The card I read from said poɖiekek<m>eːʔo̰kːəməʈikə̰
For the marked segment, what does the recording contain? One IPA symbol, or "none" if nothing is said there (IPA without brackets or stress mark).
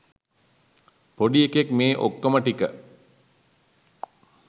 m